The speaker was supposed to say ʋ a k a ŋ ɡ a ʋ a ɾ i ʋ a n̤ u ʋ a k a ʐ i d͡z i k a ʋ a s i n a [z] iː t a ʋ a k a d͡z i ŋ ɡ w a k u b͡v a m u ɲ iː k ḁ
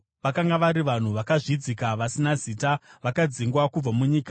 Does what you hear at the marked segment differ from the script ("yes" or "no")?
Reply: no